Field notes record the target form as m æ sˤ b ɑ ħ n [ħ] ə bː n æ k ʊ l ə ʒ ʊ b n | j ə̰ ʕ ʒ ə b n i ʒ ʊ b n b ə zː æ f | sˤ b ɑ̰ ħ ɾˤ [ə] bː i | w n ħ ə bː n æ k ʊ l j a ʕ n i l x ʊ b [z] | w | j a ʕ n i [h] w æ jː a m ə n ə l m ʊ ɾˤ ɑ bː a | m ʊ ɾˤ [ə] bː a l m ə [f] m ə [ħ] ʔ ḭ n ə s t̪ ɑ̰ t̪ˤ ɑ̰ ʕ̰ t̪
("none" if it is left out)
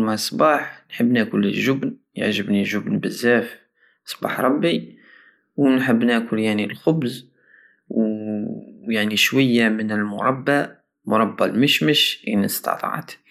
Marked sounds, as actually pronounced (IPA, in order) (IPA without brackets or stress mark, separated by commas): ħ, ɑ, z, ʃ, ɑ, ʃ, ʃ